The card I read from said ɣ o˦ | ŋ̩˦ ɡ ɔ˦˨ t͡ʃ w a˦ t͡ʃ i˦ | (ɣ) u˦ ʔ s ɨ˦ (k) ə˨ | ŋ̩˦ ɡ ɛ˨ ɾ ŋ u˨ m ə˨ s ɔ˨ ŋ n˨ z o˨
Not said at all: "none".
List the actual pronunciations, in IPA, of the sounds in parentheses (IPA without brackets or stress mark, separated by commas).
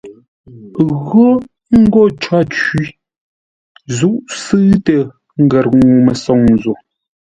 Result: z, t